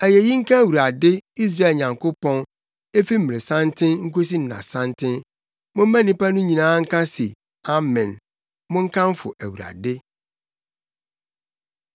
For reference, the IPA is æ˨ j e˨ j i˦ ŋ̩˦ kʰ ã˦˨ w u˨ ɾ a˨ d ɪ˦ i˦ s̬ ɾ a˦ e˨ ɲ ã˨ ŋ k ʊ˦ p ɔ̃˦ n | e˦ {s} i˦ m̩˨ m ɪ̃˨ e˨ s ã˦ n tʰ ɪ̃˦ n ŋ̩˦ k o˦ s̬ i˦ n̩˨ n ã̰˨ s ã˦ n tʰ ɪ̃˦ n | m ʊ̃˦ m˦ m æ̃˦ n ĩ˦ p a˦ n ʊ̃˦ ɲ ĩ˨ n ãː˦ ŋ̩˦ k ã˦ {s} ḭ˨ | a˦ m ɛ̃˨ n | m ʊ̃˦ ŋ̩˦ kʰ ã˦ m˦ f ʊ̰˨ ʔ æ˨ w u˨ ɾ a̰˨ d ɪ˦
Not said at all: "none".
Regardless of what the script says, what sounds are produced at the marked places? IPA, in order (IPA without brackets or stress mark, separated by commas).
f, s